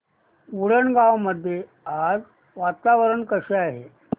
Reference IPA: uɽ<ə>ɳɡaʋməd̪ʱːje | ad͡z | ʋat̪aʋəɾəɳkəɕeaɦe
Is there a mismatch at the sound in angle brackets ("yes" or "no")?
no